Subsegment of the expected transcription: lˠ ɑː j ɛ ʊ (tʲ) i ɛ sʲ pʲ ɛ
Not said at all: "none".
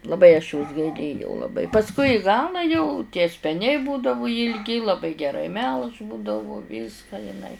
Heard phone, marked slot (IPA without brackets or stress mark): tʲ